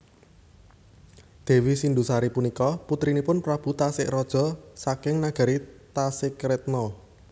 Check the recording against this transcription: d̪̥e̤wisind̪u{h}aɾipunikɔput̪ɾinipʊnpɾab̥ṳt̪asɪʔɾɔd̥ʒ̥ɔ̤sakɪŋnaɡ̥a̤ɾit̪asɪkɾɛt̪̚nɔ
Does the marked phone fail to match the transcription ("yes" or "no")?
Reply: yes